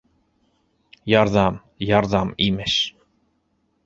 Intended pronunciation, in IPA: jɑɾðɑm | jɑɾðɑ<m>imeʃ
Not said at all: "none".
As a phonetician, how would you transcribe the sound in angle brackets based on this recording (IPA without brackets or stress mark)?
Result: m